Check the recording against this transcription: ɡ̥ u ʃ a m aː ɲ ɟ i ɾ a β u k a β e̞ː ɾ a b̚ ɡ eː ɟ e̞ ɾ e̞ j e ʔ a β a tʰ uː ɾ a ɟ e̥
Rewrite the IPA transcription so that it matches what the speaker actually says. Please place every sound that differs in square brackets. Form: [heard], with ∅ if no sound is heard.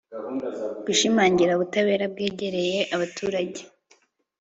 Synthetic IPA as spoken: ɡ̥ u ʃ [i] m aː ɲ ɟ i ɾ a β u [t] a β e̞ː ɾ a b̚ ɡ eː ɟ e̞ ɾ e̞ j e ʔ a β a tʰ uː ɾ a ɟ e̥

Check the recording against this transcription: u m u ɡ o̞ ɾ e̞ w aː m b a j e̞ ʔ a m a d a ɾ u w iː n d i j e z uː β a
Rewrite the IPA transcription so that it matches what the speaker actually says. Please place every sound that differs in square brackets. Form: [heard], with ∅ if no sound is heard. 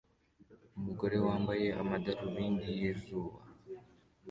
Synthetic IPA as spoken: u m u ɡ o̞ ɾ e̞ w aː m b a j e̞ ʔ a m a d a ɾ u [β] iː n d i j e z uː β a

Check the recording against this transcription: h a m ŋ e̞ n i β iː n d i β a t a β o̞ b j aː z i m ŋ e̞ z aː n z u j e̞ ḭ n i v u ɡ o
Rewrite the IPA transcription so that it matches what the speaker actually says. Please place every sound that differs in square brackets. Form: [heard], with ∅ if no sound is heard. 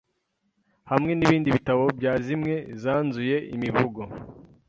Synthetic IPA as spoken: h a m ŋ e̞ n i β iː n d i β [i] t a β o̞ b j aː z i m ŋ e̞ z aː n z u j e̞ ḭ [m] i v u ɡ o

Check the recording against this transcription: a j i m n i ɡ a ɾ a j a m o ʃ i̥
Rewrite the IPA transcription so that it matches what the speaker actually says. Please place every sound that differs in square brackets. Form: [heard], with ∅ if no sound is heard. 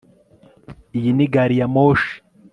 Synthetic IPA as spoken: [i] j i [∅] n i ɡ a ɾ [i] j a m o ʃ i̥

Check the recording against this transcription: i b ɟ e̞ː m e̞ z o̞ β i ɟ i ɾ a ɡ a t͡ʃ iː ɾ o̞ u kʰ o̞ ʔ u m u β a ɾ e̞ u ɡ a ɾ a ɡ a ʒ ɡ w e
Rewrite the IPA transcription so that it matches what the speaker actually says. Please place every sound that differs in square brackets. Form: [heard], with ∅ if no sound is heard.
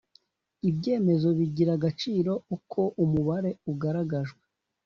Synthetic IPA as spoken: i b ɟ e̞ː m e̞ z o̞ β i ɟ i ɾ a ɡ a t͡ʃ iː ɾ o̞ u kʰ o̞ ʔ u m u β a ɾ e̞ u ɡ a ɾ a ɡ a ʒ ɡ w e

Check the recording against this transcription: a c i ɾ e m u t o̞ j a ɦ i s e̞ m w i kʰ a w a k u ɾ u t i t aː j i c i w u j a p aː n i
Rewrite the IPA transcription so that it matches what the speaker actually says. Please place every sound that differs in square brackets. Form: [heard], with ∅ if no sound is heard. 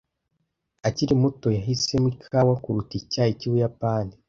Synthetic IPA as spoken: a c i ɾ [i] m u t o̞ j a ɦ i s e̞ m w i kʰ a w a k u ɾ u t i [c] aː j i c i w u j a p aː n i

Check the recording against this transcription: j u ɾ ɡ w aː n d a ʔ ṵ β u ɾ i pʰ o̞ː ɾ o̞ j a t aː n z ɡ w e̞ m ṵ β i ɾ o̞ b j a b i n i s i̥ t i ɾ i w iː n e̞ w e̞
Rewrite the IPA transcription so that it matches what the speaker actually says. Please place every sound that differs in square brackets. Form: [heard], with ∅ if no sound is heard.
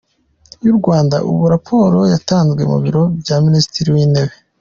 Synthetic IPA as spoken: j u ɾ ɡ w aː n d a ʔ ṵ β u ɾ [a] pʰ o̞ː ɾ o̞ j a t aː n z ɡ w e̞ m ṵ β i ɾ o̞ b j a [m] i n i s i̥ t i ɾ i w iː n e̞ [β] e̞

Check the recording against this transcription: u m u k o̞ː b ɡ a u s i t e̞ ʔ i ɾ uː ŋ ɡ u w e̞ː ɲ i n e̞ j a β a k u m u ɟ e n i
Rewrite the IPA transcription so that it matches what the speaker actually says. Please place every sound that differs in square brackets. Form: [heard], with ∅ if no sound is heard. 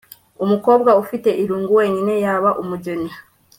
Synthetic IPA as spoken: u m u k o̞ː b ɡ a u [f] i t e̞ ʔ i ɾ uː ŋ ɡ u w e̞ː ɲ i n e̞ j a β a [ʔ] u m u ɟ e n i

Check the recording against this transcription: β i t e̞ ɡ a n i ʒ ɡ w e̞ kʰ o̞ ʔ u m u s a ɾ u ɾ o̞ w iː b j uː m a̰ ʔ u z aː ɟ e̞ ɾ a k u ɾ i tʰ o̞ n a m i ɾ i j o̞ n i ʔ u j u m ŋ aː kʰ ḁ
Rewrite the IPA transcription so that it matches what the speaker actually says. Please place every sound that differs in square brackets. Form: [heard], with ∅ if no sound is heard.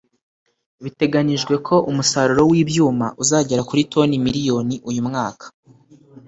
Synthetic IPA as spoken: β i t e̞ ɡ a n i ʒ ɡ w e̞ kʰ o̞ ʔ u m u s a ɾ u ɾ o̞ w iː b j uː m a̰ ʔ u z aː ɟ e̞ ɾ a k u ɾ i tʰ o̞ n [i] m i ɾ i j o̞ n i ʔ u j u m ŋ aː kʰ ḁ

